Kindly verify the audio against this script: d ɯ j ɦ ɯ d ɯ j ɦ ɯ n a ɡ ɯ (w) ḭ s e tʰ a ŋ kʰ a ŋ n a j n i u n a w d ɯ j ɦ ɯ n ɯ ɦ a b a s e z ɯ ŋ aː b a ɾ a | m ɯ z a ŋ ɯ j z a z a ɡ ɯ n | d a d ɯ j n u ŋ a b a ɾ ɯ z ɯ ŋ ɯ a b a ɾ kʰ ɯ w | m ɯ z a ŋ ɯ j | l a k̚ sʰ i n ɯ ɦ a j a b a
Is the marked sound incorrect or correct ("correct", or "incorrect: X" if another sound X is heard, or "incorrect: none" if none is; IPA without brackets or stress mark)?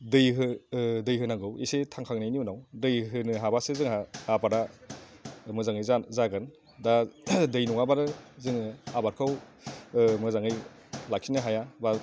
correct